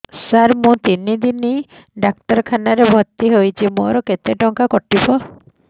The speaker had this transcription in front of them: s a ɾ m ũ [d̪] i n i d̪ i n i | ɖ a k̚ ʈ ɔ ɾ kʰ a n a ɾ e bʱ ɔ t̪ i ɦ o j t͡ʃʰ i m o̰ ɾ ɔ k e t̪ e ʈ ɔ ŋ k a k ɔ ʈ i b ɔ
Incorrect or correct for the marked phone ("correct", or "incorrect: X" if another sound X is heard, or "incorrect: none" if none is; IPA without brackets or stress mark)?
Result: incorrect: t̪